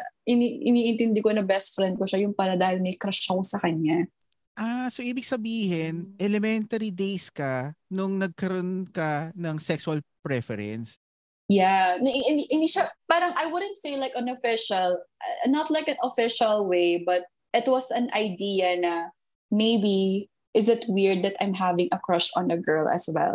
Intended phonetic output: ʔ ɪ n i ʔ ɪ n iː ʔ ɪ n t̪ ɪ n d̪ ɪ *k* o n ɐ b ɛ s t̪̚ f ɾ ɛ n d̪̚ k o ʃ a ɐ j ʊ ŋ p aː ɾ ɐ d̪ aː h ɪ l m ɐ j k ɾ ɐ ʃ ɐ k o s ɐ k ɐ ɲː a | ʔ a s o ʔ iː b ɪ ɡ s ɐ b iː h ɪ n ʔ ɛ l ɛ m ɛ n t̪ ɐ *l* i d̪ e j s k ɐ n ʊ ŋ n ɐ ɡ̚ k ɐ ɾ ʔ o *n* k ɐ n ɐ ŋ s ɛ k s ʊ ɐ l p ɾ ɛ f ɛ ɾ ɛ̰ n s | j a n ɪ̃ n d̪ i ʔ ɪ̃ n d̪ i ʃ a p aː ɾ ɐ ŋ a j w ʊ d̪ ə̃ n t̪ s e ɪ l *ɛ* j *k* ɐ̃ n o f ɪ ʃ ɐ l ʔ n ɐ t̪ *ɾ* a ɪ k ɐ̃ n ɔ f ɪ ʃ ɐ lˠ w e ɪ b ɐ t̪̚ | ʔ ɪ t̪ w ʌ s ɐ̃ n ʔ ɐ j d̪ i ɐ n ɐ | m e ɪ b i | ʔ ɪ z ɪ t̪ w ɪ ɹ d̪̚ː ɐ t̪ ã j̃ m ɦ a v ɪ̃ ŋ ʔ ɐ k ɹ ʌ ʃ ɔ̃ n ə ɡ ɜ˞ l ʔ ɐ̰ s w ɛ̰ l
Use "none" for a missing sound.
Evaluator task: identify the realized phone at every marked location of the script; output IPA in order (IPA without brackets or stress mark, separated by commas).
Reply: k, ɾ, n, a, k, l